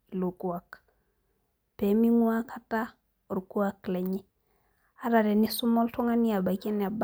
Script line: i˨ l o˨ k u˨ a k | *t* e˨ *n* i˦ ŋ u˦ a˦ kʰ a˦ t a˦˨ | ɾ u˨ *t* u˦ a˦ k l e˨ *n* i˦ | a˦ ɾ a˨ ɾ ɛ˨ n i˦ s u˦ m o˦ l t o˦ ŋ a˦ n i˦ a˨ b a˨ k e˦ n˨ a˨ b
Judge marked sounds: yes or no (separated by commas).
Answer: no, no, no, no